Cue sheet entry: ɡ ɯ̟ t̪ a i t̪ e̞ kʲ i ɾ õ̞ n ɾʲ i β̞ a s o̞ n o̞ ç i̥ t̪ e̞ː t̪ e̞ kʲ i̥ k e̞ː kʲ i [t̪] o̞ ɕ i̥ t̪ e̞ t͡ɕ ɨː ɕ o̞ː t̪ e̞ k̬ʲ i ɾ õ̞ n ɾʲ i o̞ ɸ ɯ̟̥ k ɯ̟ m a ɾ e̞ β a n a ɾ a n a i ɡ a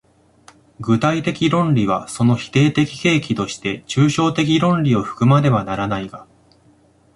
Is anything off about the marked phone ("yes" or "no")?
no